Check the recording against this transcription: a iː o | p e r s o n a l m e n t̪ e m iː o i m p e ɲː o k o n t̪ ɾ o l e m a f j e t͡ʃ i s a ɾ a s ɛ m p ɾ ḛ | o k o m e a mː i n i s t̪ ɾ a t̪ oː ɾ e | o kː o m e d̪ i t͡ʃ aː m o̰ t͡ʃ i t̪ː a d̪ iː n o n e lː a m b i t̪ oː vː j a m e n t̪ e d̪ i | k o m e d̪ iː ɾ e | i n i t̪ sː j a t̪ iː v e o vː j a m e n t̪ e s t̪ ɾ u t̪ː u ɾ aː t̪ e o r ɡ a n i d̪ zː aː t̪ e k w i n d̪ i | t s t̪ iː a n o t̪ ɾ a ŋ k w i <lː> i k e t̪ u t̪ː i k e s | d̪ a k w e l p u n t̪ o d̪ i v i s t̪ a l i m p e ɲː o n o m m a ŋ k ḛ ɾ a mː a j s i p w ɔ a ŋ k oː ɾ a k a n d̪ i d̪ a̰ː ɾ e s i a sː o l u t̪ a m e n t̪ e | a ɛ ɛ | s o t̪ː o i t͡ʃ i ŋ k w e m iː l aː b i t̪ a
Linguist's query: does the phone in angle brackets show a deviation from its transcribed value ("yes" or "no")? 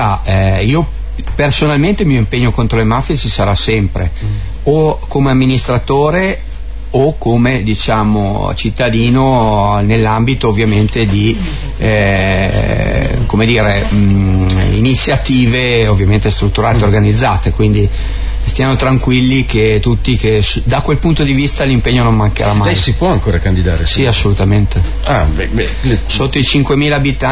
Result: no